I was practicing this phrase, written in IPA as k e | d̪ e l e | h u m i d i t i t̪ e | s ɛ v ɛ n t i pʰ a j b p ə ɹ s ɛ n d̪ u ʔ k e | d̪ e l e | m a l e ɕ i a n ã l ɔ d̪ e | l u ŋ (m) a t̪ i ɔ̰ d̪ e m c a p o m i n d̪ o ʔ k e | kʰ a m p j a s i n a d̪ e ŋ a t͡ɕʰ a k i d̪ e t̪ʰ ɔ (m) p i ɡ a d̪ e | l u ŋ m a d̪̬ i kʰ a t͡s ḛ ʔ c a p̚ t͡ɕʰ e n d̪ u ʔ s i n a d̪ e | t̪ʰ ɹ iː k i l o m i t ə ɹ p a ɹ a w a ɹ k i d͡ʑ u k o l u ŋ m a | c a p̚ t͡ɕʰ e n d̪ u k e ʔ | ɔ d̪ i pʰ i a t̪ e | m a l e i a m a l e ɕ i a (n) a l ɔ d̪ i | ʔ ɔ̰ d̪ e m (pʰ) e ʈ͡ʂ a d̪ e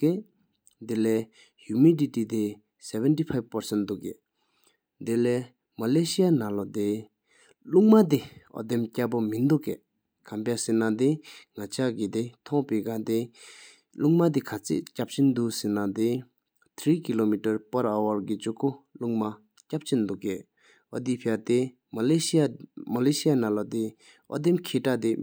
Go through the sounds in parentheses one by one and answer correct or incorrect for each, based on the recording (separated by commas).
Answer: correct, incorrect, correct, incorrect